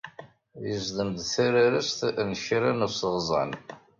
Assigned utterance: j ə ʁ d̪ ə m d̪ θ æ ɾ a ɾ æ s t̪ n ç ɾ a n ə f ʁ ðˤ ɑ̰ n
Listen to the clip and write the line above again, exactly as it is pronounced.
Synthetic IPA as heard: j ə z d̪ ə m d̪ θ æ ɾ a ɾ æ s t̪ n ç ɾ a n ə s ʁ zˤ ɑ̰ n